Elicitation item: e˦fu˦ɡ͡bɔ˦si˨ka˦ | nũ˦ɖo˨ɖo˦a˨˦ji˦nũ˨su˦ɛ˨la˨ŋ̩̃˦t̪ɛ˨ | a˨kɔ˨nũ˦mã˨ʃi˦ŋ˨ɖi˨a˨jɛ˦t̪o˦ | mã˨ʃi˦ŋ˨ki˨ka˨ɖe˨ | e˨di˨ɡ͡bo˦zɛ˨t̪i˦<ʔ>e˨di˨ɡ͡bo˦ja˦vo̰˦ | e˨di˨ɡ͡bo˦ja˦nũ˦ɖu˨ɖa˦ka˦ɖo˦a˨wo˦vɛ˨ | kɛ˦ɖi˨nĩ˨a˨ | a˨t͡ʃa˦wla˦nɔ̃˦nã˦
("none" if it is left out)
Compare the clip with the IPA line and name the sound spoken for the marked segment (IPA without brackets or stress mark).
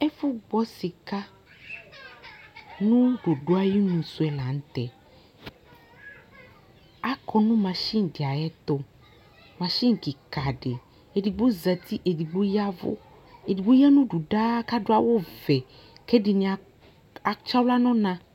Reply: ʔ